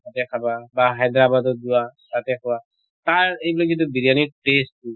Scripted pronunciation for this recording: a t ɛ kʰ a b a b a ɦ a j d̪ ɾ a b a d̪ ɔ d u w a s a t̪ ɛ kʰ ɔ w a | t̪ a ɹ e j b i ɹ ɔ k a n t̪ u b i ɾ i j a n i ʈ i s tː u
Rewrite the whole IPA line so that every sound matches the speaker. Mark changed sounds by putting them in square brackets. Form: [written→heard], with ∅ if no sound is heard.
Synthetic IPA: a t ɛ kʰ a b a b a ɦ a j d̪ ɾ a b a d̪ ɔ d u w a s a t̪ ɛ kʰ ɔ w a | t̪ a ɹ e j b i [ɹ→l] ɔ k [a→i] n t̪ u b i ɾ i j a n i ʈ [i→e] s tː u